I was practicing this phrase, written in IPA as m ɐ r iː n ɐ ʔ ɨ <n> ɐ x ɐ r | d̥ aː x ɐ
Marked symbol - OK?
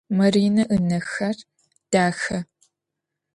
yes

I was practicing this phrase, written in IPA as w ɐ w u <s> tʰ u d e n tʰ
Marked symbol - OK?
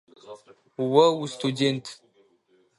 yes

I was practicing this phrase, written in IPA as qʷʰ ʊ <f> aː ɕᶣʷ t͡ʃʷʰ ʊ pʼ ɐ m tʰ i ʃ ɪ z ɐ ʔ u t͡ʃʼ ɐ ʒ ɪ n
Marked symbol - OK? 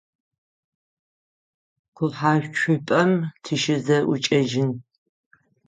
no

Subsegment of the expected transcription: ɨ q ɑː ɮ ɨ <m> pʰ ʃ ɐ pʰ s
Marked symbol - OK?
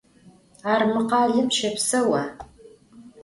no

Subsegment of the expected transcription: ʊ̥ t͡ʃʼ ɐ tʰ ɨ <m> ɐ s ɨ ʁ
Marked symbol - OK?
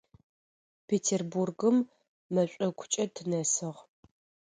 no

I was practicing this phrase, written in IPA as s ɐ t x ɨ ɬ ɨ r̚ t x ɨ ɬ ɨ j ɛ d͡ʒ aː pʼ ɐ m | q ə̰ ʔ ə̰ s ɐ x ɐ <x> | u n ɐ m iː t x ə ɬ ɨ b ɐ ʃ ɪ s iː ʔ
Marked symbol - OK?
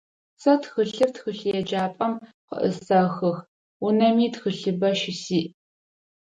yes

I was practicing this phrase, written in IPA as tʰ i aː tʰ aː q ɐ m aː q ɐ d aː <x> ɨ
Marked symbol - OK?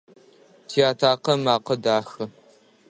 yes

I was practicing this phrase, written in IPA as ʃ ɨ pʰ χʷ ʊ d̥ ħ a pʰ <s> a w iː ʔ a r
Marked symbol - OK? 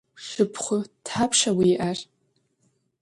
no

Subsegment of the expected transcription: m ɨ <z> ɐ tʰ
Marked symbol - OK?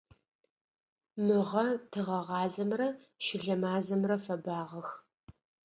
no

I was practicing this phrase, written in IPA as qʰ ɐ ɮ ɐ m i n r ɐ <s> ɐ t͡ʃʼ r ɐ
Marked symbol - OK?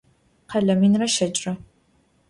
no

